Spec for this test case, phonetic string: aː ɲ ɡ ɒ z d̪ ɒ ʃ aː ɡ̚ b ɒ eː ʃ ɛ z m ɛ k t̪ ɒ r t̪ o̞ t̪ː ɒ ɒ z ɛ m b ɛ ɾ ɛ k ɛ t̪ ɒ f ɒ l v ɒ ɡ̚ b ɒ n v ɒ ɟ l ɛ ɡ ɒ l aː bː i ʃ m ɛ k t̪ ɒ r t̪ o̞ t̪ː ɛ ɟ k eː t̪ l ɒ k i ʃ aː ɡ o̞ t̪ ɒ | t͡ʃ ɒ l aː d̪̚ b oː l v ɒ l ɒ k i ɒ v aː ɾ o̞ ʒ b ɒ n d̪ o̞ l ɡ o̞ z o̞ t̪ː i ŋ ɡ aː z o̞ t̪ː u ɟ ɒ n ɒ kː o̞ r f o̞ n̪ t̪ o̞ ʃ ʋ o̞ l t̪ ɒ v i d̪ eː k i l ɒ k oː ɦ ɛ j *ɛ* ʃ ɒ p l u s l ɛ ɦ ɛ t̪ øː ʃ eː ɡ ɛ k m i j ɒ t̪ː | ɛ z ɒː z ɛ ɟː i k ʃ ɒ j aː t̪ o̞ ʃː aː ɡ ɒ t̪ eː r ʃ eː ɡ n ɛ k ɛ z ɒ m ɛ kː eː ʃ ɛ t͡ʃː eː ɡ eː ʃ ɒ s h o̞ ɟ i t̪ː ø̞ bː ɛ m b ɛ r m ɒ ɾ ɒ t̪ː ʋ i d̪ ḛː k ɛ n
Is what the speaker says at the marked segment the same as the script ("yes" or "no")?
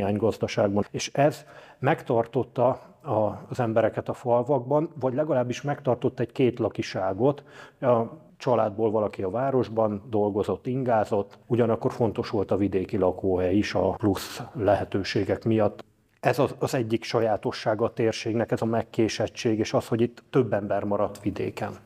no